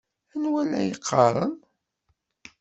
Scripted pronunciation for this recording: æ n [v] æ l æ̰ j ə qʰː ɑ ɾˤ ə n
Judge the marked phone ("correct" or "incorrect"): incorrect